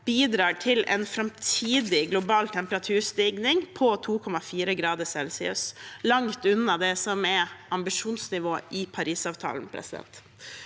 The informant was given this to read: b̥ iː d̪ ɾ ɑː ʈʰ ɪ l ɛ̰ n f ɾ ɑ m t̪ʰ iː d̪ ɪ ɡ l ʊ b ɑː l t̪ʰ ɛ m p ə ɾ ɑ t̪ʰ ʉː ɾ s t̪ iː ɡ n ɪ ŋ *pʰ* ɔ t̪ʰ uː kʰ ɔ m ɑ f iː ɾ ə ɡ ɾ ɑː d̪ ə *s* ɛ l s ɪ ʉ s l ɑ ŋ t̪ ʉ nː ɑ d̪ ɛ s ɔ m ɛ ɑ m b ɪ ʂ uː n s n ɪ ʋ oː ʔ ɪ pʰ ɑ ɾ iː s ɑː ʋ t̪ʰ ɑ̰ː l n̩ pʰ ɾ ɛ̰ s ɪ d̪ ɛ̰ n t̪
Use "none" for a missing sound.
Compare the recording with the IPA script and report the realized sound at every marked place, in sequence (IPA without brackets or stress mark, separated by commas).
pʰ, s